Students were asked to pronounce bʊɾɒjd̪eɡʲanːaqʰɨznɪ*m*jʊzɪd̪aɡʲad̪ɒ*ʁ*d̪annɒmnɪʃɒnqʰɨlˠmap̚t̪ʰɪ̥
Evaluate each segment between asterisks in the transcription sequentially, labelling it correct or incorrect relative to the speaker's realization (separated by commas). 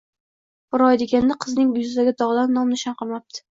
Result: incorrect, correct